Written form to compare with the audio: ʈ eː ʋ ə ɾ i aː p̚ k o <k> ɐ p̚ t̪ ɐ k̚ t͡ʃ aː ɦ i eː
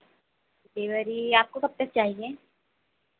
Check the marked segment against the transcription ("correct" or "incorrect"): correct